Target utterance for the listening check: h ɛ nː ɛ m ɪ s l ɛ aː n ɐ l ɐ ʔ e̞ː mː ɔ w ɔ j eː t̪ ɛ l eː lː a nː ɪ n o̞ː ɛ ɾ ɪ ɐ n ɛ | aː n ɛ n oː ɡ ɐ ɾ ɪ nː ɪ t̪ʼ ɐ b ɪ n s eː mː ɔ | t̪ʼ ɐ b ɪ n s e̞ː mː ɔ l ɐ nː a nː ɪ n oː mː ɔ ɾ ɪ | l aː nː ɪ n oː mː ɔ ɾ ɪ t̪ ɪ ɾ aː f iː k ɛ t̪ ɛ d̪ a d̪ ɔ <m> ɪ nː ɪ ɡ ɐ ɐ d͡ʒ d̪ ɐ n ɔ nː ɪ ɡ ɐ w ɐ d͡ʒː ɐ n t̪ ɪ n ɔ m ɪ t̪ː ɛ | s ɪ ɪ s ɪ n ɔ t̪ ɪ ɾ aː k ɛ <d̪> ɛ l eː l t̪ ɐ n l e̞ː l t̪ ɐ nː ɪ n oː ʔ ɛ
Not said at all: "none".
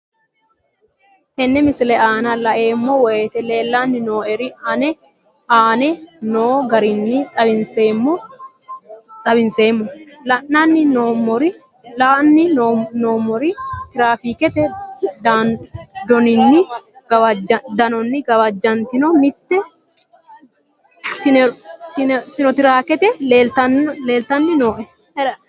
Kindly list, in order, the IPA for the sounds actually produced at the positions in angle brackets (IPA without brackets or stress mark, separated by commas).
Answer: n, t̪